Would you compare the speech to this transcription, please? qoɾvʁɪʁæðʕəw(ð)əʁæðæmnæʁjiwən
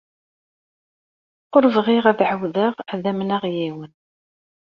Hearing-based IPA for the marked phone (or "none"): ð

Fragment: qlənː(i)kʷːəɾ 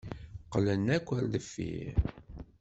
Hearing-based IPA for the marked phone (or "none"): æ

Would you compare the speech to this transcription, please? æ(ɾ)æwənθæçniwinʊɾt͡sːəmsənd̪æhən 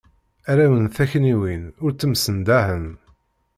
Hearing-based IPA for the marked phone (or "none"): ɾ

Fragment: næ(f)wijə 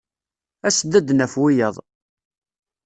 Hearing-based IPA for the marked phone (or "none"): f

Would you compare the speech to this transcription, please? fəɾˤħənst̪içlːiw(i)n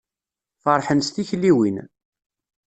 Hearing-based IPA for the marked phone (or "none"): i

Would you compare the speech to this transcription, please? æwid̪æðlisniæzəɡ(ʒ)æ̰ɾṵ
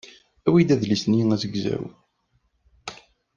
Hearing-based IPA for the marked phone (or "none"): z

